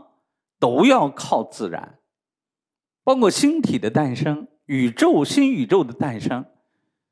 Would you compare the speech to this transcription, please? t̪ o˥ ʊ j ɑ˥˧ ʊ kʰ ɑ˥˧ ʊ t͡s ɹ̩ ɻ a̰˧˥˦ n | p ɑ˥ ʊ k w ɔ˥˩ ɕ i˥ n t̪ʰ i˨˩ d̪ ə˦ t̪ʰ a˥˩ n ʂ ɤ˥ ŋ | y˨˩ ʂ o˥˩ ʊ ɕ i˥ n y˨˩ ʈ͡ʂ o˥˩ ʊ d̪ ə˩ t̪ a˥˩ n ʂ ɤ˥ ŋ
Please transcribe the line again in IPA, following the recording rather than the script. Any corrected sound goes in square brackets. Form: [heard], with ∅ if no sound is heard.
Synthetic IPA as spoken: t̪ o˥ ʊ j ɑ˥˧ ʊ kʰ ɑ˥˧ ʊ t͡s ɹ̩ ɻ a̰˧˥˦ n | p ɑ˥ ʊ k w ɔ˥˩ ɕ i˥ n t̪ʰ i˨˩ d̪ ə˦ [t̪] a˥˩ n ʂ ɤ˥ ŋ | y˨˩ [ʈ͡ʂ] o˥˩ ʊ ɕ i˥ n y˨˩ ʈ͡ʂ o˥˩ ʊ d̪ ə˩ t̪ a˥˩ n ʂ ɤ˥ ŋ

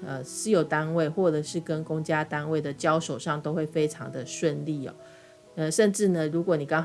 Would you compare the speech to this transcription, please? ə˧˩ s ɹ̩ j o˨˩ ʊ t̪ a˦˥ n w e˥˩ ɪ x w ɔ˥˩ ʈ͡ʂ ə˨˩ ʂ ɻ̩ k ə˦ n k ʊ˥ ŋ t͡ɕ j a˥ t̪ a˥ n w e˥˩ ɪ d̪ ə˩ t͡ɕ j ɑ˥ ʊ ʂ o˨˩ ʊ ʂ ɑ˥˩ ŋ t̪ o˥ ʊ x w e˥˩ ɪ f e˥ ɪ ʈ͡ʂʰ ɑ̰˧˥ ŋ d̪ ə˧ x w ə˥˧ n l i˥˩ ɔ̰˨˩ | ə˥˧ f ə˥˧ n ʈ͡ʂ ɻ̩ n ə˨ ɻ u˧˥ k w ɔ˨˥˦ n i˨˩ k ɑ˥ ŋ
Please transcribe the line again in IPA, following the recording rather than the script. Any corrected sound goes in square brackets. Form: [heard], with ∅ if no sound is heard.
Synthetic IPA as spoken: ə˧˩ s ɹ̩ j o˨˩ ʊ t̪ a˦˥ n w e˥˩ ɪ x w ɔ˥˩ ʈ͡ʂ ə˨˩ ʂ ɻ̩ k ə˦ n k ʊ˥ ŋ t͡ɕ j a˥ t̪ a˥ n w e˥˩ ɪ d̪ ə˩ t͡ɕ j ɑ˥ ʊ ʂ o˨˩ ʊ ʂ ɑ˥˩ ŋ t̪ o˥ ʊ x w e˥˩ ɪ f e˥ ɪ ʈ͡ʂʰ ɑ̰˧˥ ŋ d̪ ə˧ [ʂ] w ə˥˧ n l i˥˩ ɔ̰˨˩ | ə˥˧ [ʂ] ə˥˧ n ʈ͡ʂ ɻ̩ n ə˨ ɻ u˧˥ k w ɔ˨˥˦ n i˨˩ k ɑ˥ ŋ

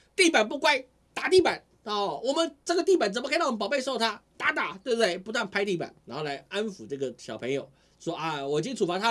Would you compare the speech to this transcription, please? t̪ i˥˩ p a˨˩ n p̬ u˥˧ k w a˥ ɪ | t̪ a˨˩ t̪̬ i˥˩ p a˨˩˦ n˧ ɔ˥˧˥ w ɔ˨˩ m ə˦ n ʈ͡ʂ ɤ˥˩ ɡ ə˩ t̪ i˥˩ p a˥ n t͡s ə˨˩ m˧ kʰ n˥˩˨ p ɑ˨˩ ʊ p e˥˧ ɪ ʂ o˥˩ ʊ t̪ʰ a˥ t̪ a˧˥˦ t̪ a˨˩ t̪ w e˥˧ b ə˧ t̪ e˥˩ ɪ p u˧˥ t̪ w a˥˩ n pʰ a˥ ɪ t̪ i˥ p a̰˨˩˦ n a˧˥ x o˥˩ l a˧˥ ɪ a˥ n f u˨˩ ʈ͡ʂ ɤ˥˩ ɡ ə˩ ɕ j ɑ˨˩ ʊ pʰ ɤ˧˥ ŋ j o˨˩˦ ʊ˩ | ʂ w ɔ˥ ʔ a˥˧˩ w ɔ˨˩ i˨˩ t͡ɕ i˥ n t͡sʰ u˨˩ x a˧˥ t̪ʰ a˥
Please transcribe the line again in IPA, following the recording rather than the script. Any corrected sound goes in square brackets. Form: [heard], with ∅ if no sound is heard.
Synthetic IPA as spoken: t̪ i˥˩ p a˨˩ n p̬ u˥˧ k w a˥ ɪ | t̪ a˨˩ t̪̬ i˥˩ p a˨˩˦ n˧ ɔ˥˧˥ w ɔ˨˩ m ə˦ n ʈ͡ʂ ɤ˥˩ ɡ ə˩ t̪ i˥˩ p [a˨˩] n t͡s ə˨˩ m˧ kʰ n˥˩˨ p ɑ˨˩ ʊ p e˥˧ ɪ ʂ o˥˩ ʊ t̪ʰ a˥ t̪ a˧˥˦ t̪ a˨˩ t̪ w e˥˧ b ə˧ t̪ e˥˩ ɪ p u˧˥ t̪ w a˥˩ n pʰ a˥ ɪ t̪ [i˥˩] p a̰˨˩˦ n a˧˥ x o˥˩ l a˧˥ ɪ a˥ n f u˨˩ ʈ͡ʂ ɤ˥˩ ɡ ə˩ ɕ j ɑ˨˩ ʊ pʰ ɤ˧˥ ŋ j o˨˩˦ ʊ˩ | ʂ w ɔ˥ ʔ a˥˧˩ w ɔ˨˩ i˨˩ t͡ɕ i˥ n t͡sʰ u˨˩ [f] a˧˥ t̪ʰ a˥

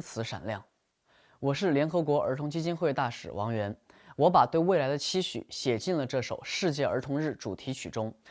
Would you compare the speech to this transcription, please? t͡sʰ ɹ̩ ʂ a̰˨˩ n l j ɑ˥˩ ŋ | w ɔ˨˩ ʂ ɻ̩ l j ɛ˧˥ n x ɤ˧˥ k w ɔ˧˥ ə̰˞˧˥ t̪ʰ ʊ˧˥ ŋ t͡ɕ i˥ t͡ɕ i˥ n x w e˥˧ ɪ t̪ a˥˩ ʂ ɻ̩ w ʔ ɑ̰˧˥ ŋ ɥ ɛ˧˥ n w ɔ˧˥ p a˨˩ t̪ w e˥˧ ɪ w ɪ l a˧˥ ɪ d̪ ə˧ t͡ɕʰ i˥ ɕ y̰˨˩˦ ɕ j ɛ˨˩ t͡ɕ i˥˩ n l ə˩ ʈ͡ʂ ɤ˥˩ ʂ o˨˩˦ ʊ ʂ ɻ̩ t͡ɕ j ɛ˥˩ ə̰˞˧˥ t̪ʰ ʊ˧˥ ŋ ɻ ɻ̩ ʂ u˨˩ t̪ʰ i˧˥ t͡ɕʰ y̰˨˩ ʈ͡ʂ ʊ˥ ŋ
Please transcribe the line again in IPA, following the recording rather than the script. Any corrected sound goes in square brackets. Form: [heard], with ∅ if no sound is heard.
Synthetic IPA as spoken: t͡sʰ ɹ̩ ʂ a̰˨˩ n l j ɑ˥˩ ŋ | w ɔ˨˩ ʂ ɻ̩ l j ɛ˧˥ n x ɤ˧˥ k w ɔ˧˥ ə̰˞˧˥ t̪ʰ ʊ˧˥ ŋ t͡ɕ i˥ t͡ɕ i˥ n x w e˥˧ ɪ t̪ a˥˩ ʂ ɻ̩ w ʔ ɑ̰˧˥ ŋ ɥ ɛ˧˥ n w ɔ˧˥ p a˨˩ t̪ w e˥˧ ɪ w ɪ l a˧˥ ɪ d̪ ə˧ t͡ɕʰ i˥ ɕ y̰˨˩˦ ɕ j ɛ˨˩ t͡ɕ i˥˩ n l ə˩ ʈ͡ʂ ɤ˥˩ ʂ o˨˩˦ ʊ ʂ ɻ̩ t͡ɕ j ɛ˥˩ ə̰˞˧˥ t̪ʰ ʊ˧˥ ŋ ɻ ɻ̩ [ʈ͡ʂ] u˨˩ t̪ʰ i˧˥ t͡ɕʰ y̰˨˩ ʈ͡ʂ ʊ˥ ŋ

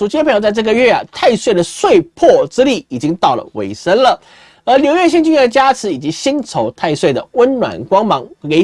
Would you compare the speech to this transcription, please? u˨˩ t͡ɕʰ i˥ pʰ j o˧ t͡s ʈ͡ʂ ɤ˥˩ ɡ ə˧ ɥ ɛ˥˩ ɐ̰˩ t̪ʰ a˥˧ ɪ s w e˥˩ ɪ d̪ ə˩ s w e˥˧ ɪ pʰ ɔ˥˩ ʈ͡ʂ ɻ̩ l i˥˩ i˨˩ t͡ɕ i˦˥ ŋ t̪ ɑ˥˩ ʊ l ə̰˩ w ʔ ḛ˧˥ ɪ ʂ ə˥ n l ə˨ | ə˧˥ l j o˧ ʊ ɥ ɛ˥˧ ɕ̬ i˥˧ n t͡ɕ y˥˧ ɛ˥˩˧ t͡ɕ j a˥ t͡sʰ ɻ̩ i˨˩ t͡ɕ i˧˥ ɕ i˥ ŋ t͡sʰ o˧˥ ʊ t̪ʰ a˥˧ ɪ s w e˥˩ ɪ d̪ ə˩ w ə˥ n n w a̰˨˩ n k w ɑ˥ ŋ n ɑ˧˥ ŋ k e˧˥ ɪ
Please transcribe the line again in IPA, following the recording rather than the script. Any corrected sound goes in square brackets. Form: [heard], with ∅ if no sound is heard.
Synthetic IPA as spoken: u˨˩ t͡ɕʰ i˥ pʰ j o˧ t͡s ʈ͡ʂ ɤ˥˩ ɡ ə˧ ɥ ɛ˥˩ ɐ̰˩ t̪ʰ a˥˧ ɪ s w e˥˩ ɪ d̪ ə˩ s w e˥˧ ɪ pʰ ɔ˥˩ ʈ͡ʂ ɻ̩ l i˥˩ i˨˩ t͡ɕ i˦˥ ŋ t̪ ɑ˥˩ ʊ l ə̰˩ w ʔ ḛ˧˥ ɪ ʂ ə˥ n l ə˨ | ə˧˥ l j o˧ ʊ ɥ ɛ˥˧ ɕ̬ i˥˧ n t͡ɕ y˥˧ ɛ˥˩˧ t͡ɕ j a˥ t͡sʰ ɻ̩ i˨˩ t͡ɕ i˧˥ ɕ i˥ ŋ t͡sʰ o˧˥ ʊ t̪ʰ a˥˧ ɪ s w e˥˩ ɪ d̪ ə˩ w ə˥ n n w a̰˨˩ n k w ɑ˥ ŋ [m] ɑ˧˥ ŋ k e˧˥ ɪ

